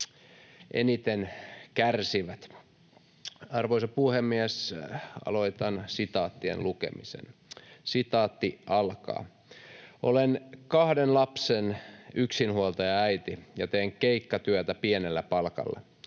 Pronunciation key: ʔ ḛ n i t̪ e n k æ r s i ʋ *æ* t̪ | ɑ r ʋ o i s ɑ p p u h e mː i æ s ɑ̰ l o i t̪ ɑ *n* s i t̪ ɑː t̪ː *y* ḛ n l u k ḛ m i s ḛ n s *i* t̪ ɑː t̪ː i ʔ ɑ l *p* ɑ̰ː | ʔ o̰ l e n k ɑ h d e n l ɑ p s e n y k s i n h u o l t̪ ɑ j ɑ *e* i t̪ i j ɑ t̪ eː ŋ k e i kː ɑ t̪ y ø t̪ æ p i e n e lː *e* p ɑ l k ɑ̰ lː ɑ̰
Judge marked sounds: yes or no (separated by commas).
yes, yes, no, yes, no, no, no